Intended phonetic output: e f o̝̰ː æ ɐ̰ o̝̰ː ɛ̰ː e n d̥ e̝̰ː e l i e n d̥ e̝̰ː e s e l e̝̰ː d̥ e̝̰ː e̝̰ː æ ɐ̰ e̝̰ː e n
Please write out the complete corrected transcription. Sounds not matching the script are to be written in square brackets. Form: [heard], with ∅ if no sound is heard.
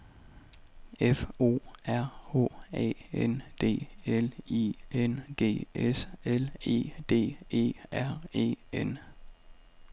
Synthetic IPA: e f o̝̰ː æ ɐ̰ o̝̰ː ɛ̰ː e n d̥ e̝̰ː e l i e n d̥ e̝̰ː e s e l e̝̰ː d̥ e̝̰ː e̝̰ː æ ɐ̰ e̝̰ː e n